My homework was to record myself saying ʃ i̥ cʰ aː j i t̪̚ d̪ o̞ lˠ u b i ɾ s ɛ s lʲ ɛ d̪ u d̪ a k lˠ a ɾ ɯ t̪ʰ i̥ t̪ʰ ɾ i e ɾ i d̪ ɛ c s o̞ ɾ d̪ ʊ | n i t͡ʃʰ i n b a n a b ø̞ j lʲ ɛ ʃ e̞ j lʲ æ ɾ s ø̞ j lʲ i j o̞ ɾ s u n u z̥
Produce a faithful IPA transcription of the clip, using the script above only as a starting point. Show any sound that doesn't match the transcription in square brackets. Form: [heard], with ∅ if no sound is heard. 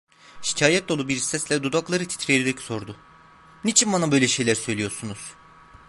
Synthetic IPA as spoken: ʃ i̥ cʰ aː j [ɛ] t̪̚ d̪ o̞ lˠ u b i ɾ s ɛ s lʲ ɛ d̪ u d̪ a k lˠ a ɾ ɯ t̪ʰ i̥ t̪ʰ ɾ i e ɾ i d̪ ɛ c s o̞ ɾ d̪ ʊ | n i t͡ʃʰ i n b a n a b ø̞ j lʲ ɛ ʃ e̞ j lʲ æ ɾ s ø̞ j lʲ i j o̞ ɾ s u n u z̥